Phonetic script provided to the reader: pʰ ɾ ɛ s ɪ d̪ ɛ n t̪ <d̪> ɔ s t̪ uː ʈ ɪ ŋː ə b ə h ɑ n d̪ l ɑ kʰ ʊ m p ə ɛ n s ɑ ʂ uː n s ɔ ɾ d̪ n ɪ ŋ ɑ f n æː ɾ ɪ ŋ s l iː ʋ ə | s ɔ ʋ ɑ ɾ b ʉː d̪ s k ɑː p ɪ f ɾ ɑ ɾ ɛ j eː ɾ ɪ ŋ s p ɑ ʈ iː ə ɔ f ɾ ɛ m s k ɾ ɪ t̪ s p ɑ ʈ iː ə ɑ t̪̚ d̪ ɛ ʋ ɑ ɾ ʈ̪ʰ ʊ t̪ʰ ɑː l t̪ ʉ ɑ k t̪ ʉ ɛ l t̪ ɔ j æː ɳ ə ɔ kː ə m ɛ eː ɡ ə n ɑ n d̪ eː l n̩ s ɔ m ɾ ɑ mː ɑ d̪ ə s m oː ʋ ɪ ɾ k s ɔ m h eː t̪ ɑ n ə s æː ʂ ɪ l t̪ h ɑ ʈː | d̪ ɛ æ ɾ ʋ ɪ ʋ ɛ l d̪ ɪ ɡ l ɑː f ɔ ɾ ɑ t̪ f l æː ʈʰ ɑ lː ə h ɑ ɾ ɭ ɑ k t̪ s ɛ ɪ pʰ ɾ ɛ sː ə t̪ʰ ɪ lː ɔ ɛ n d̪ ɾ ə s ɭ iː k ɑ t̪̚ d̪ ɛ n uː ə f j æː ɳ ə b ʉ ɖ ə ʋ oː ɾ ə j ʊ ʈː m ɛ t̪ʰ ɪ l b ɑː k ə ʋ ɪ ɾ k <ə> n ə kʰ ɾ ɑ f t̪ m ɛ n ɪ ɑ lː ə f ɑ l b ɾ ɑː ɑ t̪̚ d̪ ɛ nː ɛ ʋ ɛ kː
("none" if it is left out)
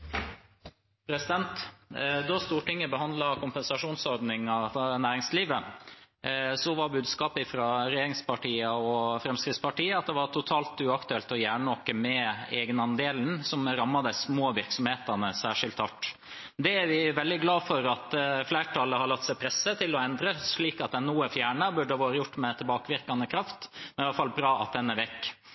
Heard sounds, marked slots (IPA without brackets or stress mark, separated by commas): d̪, ɑ